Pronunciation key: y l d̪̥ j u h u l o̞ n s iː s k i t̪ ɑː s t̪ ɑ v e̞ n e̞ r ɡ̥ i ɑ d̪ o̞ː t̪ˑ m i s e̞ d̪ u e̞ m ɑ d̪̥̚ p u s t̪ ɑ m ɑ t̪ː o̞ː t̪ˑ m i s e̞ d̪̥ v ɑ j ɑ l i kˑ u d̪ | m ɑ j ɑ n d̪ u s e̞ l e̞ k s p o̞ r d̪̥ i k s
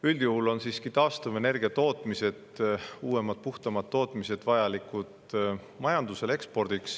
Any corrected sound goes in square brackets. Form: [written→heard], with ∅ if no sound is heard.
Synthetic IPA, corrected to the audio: y l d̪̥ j u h u l o̞ n s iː s k i t̪ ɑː s t̪ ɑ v e̞ n e̞ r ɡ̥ i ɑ [d̪→t̪] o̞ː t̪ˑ m i s e̞ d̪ [u→uː] e̞ m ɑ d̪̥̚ p u [s→h] t̪ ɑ m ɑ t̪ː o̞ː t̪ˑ m i s e̞ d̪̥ v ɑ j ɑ l i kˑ u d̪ | m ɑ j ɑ n d̪ u s e̞ l e̞ k s p o̞ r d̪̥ i k s